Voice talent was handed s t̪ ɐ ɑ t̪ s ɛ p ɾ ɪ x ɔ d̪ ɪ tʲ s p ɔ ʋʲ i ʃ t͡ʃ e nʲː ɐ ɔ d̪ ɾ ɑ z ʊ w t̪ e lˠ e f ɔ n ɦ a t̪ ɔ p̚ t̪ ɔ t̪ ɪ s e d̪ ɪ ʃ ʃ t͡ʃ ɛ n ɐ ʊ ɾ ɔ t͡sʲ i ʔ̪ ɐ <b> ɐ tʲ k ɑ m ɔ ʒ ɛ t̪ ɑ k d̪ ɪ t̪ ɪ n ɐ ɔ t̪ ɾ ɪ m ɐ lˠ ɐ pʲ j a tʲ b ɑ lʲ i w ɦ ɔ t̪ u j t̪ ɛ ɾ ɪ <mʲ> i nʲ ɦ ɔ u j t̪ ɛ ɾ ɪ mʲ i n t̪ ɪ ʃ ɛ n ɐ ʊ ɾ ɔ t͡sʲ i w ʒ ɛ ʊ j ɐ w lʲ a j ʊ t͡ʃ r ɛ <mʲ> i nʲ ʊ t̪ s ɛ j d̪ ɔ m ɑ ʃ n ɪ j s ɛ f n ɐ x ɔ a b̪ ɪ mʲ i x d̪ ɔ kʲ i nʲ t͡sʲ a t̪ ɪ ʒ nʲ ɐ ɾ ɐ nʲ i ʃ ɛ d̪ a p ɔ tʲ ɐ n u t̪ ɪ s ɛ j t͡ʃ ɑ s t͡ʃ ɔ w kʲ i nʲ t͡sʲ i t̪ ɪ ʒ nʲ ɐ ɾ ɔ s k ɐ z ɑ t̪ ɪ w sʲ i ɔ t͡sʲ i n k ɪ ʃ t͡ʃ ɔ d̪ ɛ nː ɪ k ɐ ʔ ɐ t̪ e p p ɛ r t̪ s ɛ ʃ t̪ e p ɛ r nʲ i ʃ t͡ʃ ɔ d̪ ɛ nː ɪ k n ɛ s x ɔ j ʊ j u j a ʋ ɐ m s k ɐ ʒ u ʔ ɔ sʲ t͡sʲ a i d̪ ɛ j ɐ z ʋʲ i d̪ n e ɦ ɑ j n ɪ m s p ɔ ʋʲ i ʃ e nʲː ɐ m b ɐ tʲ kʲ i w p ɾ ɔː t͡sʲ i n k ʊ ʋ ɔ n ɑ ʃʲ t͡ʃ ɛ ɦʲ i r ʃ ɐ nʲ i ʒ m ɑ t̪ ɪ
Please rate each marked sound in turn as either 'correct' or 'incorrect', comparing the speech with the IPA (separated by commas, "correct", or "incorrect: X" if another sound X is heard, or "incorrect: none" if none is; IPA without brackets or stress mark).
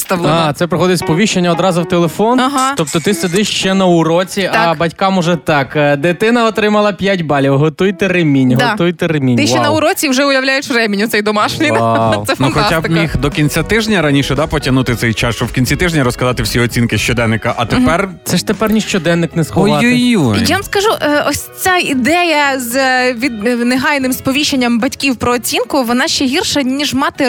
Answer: correct, correct, correct